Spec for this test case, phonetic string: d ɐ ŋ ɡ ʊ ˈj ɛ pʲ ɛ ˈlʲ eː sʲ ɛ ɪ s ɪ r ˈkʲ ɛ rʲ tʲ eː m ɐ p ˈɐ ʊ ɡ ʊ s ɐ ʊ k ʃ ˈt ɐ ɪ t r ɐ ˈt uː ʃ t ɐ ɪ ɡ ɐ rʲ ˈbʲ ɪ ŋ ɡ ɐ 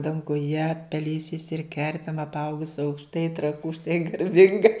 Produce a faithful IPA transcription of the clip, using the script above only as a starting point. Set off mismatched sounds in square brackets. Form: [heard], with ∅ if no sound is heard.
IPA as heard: d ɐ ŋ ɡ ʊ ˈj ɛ pʲ ɛ ˈlʲ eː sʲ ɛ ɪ s ɪ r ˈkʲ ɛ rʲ [pʲ] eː m ɐ p ˈɐ ʊ ɡ ʊ s ɐ ʊ k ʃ ˈt ɐ ɪ t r ɐ [ˈk] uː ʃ t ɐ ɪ ɡ ɐ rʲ ˈbʲ ɪ ŋ ɡ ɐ

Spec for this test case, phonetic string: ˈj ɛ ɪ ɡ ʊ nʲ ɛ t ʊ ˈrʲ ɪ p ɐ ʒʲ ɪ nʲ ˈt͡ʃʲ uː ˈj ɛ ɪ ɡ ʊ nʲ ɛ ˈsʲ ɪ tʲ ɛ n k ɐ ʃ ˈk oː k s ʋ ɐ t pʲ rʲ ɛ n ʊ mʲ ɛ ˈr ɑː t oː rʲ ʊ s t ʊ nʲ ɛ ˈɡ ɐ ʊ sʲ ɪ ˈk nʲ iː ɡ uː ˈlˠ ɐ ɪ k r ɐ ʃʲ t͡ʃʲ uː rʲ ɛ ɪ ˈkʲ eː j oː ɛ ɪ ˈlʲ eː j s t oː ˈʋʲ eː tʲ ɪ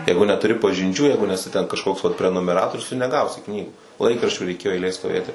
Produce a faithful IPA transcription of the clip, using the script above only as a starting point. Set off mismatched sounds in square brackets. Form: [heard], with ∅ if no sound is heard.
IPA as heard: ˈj ɛ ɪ ɡ ʊ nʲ ɛ t ʊ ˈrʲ ɪ p ɐ ʒʲ ɪ nʲ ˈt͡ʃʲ uː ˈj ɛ ɪ ɡ ʊ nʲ ɛ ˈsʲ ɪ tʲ ɛ n k ɐ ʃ ˈk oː k s ʋ ɐ t pʲ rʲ ɛ n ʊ mʲ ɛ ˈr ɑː t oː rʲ ʊ s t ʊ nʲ ɛ ˈɡ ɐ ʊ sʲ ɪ ˈk nʲ iː ɡ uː ˈlˠ ɐ ɪ k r ɐ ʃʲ t͡ʃʲ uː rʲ ɛ ɪ ˈkʲ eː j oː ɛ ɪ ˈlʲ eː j s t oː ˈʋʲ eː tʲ ɪ

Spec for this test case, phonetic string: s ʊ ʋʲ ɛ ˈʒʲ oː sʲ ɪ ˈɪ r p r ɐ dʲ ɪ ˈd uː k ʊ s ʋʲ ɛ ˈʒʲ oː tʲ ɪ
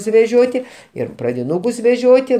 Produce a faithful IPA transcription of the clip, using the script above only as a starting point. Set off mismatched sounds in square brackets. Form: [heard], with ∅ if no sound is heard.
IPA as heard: s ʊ ʋʲ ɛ ˈʒʲ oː [tʲ] ɪ ˈɪ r p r ɐ dʲ ɪ [ˈn] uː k ʊ s ʋʲ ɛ ˈʒʲ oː tʲ ɪ

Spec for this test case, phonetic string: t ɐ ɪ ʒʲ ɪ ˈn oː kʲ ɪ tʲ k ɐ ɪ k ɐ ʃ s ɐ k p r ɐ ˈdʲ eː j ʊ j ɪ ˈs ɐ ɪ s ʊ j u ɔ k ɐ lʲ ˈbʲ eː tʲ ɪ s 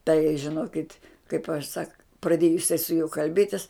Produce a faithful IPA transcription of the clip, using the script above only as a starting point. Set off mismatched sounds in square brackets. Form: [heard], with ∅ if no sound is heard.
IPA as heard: t ɐ ɪ ʒʲ ɪ ˈn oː kʲ ɪ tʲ k ɐ ɪ [p] ɐ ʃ s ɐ k p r ɐ ˈdʲ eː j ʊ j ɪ ˈs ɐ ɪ s ʊ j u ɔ k ɐ lʲ ˈbʲ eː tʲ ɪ s

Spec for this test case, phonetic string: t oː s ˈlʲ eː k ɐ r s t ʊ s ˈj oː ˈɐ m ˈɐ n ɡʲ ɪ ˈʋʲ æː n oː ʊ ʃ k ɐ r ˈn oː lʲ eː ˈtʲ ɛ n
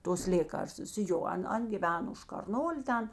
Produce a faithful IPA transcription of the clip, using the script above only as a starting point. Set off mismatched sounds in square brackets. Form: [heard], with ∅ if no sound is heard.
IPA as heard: t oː s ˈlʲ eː k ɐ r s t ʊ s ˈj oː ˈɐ [n] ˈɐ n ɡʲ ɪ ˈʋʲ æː n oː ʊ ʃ k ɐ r ˈn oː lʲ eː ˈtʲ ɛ n

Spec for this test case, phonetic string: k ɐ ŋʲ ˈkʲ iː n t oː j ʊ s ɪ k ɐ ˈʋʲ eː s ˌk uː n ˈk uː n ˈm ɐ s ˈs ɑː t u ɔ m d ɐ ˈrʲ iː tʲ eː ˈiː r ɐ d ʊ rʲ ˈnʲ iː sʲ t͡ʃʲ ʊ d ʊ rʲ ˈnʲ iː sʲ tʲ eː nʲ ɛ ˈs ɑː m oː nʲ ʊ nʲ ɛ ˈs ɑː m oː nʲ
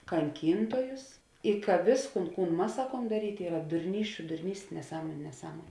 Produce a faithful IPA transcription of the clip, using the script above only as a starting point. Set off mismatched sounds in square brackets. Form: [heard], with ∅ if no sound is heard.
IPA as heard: k ɐ ŋʲ ˈkʲ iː n t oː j ʊ s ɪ k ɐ ˈʋʲ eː s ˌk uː n ˈk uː n ˈm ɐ s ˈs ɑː [k] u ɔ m d ɐ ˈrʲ iː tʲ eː ˈiː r ɐ d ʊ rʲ ˈnʲ iː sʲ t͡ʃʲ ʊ d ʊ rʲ ˈnʲ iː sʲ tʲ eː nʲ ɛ ˈs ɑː m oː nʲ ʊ nʲ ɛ ˈs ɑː m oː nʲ

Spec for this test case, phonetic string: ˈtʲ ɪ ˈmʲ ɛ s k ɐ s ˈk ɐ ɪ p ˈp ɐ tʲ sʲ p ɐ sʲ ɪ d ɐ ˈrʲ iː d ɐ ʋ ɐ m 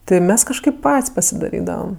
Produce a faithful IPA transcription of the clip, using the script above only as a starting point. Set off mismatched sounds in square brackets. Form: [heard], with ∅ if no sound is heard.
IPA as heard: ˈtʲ ɪ ˈmʲ ɛ s k ɐ [ʃ] ˈk ɐ ɪ p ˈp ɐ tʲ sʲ p ɐ sʲ ɪ d ɐ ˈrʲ iː d ɐ ʋ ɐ m

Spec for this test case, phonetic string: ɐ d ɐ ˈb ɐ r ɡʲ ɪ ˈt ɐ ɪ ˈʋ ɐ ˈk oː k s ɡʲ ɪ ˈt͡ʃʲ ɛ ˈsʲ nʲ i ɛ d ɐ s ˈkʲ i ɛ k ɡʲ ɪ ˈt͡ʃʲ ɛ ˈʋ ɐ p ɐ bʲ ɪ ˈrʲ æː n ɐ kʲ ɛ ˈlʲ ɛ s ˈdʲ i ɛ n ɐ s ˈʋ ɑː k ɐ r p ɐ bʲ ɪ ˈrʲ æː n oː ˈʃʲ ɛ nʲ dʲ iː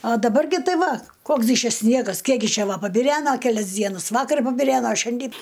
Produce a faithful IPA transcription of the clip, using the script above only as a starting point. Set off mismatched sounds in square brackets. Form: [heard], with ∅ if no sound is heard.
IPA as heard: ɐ d ɐ ˈb ɐ r ɡʲ ɪ ˈt ɐ ɪ ˈʋ ɐ ˈk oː k s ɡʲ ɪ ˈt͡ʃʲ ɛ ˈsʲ nʲ i ɛ [ɡ] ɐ s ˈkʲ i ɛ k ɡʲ ɪ ˈt͡ʃʲ ɛ ˈʋ ɐ p ɐ bʲ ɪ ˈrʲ æː n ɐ kʲ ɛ ˈlʲ ɛ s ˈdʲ i ɛ n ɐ s ˈʋ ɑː k ɐ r p ɐ bʲ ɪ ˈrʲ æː n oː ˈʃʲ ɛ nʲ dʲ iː

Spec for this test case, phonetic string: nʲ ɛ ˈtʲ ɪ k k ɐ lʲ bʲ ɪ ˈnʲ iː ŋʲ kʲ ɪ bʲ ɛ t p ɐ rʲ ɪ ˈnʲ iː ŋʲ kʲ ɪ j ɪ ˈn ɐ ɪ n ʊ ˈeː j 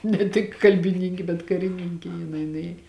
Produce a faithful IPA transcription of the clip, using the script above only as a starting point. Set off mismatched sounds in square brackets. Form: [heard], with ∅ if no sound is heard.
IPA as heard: nʲ ɛ ˈtʲ ɪ k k ɐ lʲ bʲ ɪ ˈnʲ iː ŋʲ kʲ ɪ bʲ ɛ t [k] ɐ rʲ ɪ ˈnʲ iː ŋʲ kʲ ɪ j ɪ ˈn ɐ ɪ n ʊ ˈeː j

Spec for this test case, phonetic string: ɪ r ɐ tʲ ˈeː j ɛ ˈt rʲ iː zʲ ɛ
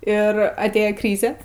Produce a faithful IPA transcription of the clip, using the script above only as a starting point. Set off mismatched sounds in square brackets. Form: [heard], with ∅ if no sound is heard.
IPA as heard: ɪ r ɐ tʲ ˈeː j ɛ [ˈk] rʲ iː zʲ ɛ

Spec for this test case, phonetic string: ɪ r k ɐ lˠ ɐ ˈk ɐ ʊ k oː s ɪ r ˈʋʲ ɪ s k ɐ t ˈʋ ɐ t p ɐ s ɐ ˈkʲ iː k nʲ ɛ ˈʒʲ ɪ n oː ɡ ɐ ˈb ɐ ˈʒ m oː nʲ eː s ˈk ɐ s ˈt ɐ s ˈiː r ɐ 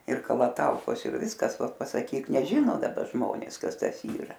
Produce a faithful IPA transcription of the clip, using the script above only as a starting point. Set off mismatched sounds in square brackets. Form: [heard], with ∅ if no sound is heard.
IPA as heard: ɪ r k ɐ lˠ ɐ [ˈt] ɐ ʊ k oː s ɪ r ˈʋʲ ɪ s k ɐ [s] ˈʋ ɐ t p ɐ s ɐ ˈkʲ iː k nʲ ɛ ˈʒʲ ɪ n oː [d] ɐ ˈb ɐ ˈʒ m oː nʲ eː s ˈk ɐ s ˈt ɐ s ˈiː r ɐ

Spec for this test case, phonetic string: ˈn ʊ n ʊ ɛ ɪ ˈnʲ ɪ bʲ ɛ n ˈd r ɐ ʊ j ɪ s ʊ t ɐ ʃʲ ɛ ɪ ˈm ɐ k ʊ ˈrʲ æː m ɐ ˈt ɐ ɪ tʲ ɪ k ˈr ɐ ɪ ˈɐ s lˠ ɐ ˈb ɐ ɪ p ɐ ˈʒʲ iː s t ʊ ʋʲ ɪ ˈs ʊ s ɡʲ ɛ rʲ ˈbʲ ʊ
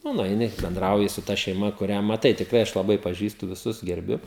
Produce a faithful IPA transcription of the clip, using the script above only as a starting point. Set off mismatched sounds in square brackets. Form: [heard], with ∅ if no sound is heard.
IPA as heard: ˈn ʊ n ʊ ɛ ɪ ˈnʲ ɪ bʲ ɛ n ˈd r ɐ ʊ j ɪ s ʊ t ɐ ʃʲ ɛ ɪ ˈm ɐ k ʊ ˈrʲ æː m ɐ ˈt ɐ ɪ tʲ ɪ k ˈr ɐ ɪ ˈɐ [ʃ] lˠ ɐ ˈb ɐ ɪ p ɐ ˈʒʲ iː s t ʊ ʋʲ ɪ ˈs ʊ s ɡʲ ɛ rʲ ˈbʲ ʊ

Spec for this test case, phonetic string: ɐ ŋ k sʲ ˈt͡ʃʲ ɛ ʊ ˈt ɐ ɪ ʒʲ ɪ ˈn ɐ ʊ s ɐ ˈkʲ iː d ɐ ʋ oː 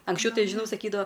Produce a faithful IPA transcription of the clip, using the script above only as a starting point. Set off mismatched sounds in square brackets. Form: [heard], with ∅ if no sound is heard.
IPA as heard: ɐ ŋ k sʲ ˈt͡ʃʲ ɛ ʊ ˈt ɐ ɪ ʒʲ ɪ ˈn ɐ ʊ s ɐ ˈkʲ iː d ɐ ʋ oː

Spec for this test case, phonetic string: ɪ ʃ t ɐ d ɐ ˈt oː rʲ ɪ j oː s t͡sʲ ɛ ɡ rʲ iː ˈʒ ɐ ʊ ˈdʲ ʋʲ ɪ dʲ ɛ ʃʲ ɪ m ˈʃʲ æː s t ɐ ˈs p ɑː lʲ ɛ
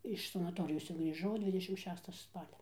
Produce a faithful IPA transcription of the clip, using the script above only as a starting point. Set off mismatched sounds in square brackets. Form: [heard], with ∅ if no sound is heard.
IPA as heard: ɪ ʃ [s] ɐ [n] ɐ ˈt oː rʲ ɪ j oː s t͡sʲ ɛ ɡ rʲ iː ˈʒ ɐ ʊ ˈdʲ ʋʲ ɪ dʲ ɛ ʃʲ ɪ m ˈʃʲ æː s t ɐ ˈs p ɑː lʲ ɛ

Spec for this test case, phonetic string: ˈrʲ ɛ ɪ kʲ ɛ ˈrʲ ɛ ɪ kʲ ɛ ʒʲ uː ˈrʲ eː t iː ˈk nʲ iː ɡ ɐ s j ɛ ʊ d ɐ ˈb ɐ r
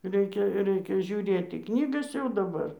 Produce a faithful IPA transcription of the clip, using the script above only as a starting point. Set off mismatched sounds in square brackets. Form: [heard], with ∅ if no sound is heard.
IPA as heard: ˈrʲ ɛ ɪ kʲ ɛ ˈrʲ ɛ ɪ kʲ ɛ ʒʲ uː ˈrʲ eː t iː ˈk nʲ iː ɡ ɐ s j ɛ ʊ d ɐ ˈb ɐ r

